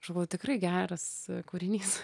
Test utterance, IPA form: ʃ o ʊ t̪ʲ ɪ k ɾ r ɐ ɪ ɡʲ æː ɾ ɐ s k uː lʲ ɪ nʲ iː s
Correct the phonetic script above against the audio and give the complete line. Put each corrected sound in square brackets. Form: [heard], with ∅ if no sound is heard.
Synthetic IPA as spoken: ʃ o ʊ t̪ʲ ɪ k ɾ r ɐ ɪ ɡʲ æː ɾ ɐ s k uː [ɾʲ] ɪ nʲ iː s

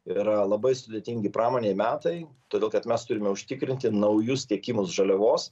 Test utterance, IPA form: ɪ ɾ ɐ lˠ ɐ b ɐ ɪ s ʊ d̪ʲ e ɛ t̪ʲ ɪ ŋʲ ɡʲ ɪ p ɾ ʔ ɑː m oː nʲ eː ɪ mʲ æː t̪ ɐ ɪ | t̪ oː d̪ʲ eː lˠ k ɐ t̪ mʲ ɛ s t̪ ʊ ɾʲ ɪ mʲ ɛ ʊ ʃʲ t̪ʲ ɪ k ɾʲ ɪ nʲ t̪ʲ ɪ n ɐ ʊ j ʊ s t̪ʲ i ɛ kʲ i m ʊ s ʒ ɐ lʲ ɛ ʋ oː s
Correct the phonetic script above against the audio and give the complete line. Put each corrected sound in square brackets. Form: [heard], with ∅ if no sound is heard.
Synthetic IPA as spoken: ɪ ɾ ɐ lˠ ɐ b ɐ ɪ s ʊ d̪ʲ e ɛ t̪ʲ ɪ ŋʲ ɡʲ ɪ p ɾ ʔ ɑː m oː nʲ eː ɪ mʲ æː t̪ ɐ ɪ | t̪ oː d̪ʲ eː lˠ k ɐ t̪ mʲ ɛ s t̪ ʊ ɾʲ ɪ mʲ ɛ ʊ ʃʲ t̪ʲ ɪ k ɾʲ ɪ nʲ t̪ʲ ɪ n ɐ ʊ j ʊ s t̪ʲ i ɛ kʲ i m ʊ s ʒ ɐ lʲ ɛ ʋ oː s

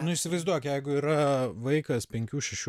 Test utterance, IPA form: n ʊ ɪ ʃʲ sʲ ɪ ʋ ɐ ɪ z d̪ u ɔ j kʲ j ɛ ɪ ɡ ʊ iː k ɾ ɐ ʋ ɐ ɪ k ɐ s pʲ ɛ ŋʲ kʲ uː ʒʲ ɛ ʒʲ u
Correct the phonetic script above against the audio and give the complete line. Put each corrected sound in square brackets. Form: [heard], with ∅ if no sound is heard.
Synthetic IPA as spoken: n ʊ ɪ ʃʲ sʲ ɪ ʋ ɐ ɪ z d̪ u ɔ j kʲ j ɛ ɪ ɡ ʊ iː [∅] ɾ ɐ ʋ ɐ ɪ k ɐ s pʲ ɛ ŋʲ kʲ uː [ʃʲ] ɛ [ʃʲ] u

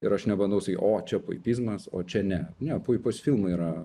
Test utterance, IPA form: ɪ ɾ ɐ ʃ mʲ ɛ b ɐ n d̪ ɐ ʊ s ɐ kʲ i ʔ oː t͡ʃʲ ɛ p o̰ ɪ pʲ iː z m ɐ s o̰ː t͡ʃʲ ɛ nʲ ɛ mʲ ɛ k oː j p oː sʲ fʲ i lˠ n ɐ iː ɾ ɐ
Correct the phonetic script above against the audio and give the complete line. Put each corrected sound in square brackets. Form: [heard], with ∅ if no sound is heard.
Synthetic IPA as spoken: ɪ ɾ ɐ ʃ [nʲ] ɛ b ɐ n d̪ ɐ ʊ s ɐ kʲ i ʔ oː t͡ʃʲ ɛ p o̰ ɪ pʲ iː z m ɐ s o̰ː t͡ʃʲ ɛ nʲ ɛ [nʲ] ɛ [p] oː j p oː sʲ fʲ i lˠ [m] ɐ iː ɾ ɐ

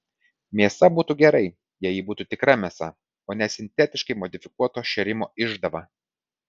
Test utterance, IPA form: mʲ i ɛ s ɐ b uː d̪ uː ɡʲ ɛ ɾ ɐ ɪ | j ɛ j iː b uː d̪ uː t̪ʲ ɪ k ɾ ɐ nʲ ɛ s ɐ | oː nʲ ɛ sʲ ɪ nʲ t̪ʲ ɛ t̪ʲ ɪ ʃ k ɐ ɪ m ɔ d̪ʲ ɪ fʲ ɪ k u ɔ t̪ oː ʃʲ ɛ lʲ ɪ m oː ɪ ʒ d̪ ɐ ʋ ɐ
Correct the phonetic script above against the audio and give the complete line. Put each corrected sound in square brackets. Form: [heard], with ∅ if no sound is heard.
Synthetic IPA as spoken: mʲ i ɛ s ɐ b uː [t̪] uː ɡʲ ɛ ɾ ɐ ɪ | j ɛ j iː b uː [t̪] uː t̪ʲ ɪ k ɾ ɐ [mʲ] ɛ s ɐ | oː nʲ ɛ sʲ ɪ nʲ t̪ʲ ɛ t̪ʲ ɪ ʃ k ɐ ɪ m ɔ d̪ʲ ɪ fʲ ɪ k u ɔ t̪ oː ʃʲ ɛ [ɾʲ] ɪ m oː ɪ ʒ d̪ ɐ ʋ ɐ

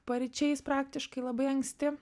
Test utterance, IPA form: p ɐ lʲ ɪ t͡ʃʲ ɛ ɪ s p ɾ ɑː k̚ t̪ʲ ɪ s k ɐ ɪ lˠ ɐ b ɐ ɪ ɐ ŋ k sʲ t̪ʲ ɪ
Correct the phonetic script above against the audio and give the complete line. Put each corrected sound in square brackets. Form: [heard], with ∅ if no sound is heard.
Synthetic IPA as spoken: p ɐ [ɾʲ] ɪ t͡ʃʲ ɛ ɪ s p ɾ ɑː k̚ t̪ʲ ɪ [ʃ] k ɐ ɪ lˠ ɐ b ɐ ɪ ɐ ŋ k sʲ t̪ʲ ɪ

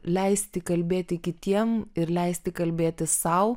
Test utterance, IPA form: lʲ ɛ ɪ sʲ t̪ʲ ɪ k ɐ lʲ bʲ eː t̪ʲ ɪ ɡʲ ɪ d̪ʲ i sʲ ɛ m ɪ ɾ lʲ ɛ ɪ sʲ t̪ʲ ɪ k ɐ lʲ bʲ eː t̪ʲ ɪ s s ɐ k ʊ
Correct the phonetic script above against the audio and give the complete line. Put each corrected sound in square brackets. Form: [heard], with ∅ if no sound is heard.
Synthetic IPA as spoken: lʲ ɛ ɪ sʲ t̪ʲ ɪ k ɐ lʲ bʲ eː t̪ʲ ɪ [kʲ] ɪ [t̪ʲ] i [∅] ɛ m ɪ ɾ lʲ ɛ ɪ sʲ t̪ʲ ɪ k ɐ lʲ bʲ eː t̪ʲ ɪ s s ɐ [∅] ʊ

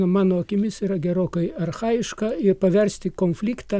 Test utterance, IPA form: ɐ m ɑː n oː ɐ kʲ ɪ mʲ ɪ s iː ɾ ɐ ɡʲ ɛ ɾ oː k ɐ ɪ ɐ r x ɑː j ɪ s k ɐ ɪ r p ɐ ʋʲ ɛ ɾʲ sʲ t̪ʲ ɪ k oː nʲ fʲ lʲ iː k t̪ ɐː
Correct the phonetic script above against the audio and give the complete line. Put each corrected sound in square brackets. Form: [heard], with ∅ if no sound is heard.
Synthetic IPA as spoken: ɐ m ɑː n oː ɐ kʲ ɪ mʲ ɪ s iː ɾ ɐ ɡʲ ɛ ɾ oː k ɐ ɪ ɐ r x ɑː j ɪ [ʃ] k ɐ ɪ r p ɐ ʋʲ ɛ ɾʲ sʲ t̪ʲ ɪ k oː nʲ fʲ lʲ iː k t̪ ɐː

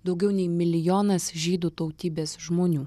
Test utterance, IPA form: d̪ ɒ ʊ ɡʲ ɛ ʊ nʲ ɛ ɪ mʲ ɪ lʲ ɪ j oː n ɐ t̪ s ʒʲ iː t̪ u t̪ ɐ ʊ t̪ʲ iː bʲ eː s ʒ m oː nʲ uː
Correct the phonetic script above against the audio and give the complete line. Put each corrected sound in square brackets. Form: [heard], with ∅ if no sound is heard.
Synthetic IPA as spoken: d̪ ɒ ʊ ɡʲ ɛ ʊ nʲ ɛ ɪ mʲ ɪ lʲ ɪ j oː n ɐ [∅] s ʒʲ iː [d̪] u t̪ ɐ ʊ t̪ʲ iː bʲ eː s ʒ m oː nʲ uː

